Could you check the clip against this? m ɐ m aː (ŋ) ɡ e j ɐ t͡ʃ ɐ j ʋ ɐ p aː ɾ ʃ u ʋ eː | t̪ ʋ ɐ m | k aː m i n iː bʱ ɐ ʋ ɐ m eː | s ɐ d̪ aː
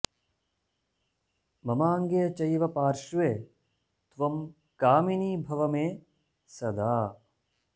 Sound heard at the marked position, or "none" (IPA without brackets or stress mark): ŋ